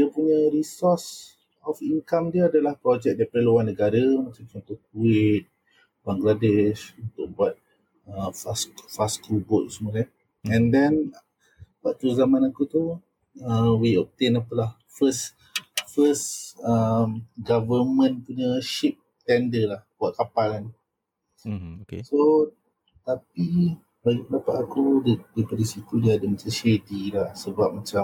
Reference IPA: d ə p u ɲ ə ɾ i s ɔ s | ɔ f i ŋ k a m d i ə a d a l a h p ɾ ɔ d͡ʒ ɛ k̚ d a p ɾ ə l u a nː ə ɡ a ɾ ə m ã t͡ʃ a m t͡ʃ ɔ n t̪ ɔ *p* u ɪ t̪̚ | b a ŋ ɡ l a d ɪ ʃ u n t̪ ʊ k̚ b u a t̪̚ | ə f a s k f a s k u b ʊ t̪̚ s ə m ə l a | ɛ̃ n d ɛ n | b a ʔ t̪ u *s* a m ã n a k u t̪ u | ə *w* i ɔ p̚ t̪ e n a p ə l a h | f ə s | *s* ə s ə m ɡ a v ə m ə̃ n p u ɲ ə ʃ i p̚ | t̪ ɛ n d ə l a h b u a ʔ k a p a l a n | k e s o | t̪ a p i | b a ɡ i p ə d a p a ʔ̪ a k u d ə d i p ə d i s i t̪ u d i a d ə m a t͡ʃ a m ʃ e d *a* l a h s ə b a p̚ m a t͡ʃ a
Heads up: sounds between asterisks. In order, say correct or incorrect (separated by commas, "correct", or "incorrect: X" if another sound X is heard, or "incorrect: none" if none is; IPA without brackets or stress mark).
incorrect: k, incorrect: z, correct, incorrect: f, incorrect: i